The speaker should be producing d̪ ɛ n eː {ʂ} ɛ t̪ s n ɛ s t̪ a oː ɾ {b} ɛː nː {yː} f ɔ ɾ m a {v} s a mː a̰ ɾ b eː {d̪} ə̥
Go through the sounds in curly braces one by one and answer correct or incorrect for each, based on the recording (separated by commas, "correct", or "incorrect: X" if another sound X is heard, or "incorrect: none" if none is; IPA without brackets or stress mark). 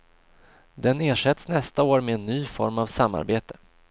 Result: correct, incorrect: m, correct, correct, incorrect: t̪